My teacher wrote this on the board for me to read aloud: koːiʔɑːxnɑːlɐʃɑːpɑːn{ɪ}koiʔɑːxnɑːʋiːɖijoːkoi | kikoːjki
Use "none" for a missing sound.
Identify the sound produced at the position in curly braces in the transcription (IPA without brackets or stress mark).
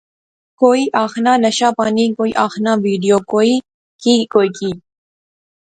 i